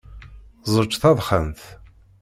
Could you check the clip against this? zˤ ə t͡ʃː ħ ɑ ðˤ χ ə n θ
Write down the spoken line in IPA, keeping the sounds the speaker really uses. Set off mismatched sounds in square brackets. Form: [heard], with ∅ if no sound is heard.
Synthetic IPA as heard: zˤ ə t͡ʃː [θ] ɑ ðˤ χ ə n θ